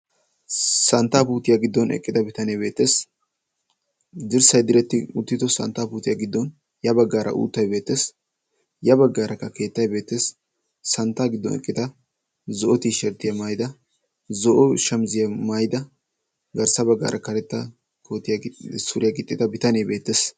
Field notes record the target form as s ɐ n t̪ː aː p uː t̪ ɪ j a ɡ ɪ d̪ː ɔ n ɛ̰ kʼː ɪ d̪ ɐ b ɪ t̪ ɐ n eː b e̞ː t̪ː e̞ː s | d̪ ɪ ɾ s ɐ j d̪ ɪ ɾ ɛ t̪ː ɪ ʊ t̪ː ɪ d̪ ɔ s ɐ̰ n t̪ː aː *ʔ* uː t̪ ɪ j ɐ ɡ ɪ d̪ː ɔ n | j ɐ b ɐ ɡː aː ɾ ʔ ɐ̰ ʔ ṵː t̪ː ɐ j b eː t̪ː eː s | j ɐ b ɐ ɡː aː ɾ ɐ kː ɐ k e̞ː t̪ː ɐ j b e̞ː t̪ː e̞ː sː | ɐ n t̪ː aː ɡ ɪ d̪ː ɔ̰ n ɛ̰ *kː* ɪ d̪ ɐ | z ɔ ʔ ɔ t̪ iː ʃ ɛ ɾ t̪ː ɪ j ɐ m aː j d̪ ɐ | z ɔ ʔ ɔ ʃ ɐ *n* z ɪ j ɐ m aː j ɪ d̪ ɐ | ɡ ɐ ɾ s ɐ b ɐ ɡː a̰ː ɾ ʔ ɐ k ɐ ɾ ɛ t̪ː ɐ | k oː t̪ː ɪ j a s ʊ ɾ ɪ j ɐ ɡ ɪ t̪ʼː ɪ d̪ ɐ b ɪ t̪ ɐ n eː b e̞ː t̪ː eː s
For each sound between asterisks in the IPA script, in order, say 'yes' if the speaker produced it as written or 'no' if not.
no, no, no

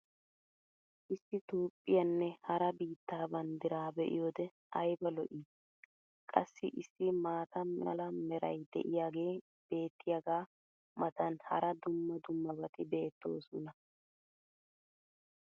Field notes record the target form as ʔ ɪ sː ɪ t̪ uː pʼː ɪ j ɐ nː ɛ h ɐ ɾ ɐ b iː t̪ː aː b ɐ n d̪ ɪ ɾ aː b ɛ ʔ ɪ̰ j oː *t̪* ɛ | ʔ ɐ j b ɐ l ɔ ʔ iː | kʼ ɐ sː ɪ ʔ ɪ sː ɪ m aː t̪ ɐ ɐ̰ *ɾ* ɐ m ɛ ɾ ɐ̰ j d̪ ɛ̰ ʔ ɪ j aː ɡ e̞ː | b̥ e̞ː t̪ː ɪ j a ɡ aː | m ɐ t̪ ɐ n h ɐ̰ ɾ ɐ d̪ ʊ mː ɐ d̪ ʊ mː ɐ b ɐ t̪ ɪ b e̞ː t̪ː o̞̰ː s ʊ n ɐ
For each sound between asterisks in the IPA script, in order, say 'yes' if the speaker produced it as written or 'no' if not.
no, no

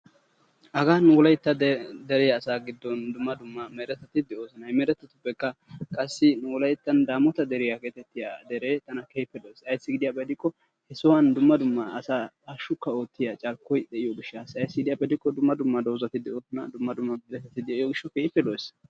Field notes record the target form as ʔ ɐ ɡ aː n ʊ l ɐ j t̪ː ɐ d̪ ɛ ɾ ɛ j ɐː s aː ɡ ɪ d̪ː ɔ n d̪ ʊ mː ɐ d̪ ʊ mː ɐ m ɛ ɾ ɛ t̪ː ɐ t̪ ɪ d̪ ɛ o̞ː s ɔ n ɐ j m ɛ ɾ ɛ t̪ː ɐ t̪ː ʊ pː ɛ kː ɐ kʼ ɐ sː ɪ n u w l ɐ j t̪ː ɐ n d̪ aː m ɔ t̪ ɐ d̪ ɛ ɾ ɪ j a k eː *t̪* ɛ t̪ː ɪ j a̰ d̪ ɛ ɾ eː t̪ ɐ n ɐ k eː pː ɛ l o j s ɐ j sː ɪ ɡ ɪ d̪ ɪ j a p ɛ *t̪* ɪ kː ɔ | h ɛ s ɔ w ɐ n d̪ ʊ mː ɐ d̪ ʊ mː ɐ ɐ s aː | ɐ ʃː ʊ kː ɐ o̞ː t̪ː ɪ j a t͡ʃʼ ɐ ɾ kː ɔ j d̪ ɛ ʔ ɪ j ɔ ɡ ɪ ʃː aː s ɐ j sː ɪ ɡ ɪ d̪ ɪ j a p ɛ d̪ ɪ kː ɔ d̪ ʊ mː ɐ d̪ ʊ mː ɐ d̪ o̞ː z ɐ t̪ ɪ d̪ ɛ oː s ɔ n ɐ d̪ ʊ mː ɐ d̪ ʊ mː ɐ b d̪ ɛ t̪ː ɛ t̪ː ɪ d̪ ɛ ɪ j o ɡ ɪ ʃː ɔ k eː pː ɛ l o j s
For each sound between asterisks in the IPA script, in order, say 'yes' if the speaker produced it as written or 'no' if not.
yes, no

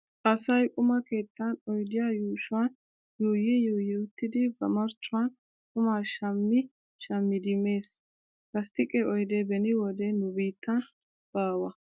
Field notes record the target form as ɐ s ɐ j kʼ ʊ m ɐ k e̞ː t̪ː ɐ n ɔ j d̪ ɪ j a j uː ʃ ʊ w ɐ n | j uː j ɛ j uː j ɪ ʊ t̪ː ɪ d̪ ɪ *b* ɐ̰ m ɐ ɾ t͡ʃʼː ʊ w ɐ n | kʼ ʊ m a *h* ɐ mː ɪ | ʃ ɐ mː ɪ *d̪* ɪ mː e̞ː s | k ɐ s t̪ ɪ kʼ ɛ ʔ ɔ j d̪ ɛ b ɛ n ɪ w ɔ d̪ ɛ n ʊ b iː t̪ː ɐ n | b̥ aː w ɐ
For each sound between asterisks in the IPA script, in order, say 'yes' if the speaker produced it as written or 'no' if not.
yes, no, yes

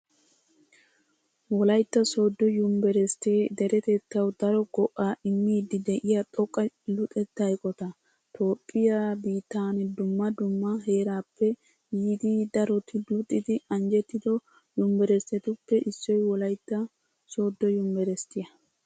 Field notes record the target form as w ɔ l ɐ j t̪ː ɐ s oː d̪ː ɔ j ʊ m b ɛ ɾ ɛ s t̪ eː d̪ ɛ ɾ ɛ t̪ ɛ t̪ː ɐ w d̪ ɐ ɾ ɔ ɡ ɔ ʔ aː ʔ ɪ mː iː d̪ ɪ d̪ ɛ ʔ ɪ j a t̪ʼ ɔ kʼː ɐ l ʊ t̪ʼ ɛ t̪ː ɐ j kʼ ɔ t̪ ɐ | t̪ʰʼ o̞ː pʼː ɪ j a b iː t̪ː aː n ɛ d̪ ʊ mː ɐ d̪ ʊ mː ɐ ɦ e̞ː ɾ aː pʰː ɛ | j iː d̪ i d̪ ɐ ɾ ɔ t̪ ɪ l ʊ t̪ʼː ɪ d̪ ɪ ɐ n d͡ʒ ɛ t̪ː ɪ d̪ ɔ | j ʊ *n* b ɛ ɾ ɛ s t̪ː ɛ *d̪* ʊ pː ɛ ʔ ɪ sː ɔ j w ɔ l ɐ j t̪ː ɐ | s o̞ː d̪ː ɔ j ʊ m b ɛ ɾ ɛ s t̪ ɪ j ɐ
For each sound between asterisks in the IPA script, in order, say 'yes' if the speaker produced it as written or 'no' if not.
no, no

